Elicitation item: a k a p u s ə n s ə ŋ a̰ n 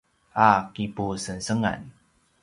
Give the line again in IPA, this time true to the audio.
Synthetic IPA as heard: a k i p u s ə n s ə ŋ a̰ n